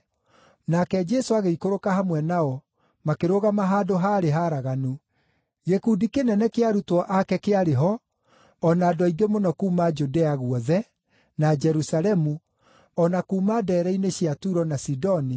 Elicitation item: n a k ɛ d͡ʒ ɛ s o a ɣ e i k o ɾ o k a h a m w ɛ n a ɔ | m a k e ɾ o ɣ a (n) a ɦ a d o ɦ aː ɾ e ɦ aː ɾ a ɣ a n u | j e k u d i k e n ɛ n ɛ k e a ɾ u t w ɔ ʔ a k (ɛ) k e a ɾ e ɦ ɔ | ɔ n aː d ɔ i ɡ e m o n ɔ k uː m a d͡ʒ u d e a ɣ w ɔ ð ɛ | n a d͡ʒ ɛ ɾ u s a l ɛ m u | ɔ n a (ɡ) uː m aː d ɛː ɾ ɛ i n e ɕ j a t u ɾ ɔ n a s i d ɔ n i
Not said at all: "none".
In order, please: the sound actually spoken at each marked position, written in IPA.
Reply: m, ɛ, k

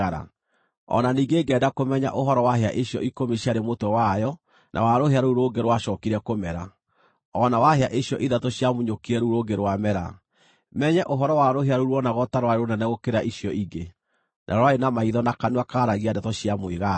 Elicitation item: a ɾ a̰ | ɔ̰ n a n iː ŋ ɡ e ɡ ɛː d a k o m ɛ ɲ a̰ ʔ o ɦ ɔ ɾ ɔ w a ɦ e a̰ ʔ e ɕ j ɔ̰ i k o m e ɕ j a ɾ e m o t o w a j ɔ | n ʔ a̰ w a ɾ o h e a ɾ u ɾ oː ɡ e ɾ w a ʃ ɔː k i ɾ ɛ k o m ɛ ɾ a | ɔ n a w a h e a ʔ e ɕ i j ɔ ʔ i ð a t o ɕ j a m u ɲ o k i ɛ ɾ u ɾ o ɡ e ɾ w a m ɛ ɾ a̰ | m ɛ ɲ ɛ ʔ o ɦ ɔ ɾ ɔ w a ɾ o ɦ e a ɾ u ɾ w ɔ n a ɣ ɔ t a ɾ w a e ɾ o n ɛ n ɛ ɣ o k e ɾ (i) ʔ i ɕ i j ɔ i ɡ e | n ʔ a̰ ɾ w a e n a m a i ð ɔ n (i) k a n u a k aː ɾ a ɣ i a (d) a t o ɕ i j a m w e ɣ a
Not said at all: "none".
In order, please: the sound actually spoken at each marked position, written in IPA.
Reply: a, a, d

